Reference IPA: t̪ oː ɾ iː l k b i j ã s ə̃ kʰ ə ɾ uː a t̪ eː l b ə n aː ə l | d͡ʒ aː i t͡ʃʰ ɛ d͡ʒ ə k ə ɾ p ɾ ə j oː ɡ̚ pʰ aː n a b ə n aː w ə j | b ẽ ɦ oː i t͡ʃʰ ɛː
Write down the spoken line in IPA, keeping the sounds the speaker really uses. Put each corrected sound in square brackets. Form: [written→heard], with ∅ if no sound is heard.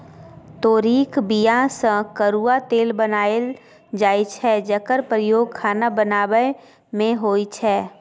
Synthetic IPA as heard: t̪ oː ɾ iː [l→∅] k b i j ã s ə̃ [kʰ→k] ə ɾ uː a t̪ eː l b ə n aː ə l | d͡ʒ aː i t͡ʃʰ ɛ d͡ʒ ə k ə ɾ p ɾ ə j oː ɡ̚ [pʰ→kʰ] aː n a b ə n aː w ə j | [b→m] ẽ ɦ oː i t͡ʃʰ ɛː